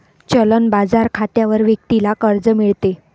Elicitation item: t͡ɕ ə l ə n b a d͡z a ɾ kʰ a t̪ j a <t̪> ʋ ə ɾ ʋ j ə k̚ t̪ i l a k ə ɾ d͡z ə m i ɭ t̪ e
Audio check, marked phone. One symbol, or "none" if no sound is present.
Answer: none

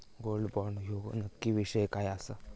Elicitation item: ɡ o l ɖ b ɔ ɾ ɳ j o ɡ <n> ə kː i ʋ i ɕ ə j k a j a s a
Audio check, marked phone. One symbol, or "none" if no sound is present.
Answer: n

